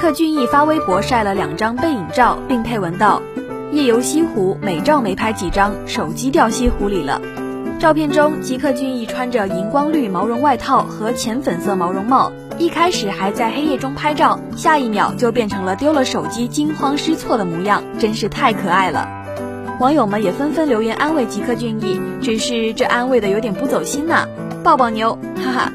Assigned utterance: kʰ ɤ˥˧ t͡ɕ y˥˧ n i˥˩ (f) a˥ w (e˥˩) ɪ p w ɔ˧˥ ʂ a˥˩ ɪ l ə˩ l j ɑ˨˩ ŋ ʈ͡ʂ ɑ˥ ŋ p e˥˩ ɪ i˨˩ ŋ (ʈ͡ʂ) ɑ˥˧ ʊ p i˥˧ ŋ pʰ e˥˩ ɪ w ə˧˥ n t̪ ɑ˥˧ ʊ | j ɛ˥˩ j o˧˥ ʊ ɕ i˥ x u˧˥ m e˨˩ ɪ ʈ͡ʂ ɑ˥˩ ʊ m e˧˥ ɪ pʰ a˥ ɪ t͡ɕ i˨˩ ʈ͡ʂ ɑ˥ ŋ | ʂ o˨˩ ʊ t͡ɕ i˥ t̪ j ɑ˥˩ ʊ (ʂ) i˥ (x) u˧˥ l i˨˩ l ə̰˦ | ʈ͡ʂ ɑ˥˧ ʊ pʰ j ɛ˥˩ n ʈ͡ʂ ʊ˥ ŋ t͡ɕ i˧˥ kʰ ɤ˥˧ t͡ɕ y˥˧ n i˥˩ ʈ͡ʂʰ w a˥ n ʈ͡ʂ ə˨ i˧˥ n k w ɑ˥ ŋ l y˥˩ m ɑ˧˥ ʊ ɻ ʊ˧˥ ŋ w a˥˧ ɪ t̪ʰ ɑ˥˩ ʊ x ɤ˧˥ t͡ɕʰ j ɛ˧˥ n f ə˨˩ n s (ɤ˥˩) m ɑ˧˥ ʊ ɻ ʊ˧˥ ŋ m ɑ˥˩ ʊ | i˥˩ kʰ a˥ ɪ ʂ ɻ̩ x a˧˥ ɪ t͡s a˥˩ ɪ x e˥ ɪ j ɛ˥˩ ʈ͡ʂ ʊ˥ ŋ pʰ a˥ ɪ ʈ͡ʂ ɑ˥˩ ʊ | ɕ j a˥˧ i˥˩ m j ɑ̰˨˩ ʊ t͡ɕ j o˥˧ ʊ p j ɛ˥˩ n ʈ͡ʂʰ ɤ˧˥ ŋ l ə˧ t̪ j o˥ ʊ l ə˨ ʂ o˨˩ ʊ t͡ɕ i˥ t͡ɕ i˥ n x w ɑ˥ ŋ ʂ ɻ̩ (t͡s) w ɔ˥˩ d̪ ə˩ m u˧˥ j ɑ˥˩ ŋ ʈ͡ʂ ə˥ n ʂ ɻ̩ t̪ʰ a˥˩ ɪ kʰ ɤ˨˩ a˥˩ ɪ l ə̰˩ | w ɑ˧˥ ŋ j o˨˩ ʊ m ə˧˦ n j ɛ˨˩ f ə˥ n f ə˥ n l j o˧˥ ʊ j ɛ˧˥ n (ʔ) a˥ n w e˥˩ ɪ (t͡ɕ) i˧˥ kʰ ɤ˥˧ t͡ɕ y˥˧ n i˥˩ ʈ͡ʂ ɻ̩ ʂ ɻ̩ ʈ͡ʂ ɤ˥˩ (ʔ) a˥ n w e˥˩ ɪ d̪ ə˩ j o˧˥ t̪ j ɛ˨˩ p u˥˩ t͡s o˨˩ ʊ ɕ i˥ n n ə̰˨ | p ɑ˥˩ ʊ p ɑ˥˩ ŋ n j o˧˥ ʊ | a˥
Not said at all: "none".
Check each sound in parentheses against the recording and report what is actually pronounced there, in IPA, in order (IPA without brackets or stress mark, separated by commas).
f, e˥, ʈ͡ʂ, ɕ, x, ɤ˥˩, t͡sʰ, ʔ, t͡ɕ, ʔ